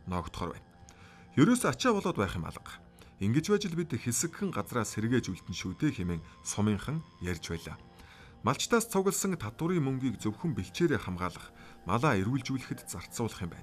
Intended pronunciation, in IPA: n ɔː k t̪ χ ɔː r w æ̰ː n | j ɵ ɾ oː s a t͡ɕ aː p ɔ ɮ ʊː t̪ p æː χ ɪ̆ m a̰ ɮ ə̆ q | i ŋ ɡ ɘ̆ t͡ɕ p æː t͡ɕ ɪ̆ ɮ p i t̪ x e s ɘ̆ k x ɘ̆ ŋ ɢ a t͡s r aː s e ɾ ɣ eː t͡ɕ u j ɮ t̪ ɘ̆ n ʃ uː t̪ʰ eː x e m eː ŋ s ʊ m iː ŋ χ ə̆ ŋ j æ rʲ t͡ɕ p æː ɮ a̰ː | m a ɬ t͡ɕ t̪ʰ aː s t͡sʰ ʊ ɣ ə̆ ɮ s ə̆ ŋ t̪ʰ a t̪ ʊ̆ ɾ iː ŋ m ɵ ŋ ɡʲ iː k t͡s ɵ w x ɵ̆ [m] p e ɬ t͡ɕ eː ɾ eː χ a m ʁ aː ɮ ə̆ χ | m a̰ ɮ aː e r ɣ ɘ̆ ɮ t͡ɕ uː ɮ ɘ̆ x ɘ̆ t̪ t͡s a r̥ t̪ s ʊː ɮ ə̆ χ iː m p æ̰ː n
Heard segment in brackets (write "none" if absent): m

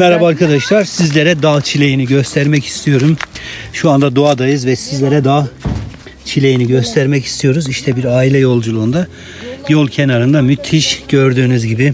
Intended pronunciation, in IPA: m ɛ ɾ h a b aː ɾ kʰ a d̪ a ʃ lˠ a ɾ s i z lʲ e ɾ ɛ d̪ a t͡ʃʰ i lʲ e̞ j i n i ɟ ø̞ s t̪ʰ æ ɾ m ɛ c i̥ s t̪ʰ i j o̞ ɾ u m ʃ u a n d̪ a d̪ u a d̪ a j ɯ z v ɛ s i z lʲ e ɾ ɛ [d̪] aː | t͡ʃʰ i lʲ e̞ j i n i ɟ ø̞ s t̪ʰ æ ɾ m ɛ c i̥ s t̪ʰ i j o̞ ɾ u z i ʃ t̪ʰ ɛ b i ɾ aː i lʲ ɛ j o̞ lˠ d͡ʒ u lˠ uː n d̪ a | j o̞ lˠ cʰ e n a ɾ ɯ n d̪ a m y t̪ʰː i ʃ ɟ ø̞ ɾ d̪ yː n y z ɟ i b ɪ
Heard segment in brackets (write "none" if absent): d̪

